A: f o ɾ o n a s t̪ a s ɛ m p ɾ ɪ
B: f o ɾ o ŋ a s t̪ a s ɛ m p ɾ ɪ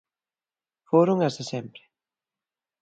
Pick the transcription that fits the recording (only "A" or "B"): B